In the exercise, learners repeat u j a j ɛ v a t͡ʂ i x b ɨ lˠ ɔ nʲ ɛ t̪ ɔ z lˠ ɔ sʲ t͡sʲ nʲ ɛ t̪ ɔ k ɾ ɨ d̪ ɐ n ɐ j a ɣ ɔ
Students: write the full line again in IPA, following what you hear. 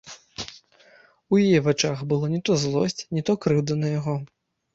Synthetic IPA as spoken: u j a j ɛ v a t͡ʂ a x b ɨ lˠ ɔ nʲ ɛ t̪ ɔ z lˠ ɔ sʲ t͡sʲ nʲ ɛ t̪ ɔ k ɾ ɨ d̪ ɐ n ɐ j a ɣ ɔ